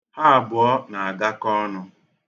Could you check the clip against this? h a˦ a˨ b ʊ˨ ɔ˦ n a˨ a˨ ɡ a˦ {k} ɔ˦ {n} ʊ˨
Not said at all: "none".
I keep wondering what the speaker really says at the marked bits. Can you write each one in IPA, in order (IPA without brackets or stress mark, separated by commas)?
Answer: k, n